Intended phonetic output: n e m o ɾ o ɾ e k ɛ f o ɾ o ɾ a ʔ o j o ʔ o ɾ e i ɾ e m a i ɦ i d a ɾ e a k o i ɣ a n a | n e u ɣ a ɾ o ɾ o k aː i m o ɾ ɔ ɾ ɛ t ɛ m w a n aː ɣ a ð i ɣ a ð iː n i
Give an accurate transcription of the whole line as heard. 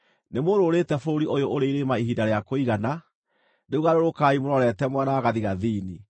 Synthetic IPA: n e m o ɾ o ɾ e t ɛ f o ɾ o ɾ i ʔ o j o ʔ o ɾ e i ɾ e m a i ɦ i d a ɾ e a k o i ɣ a n a | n e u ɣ a ɾ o ɾ o k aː i m o ɾ ɔ ɾ ɛ t ɛ m w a n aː ɣ a ð i ɣ a ð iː n i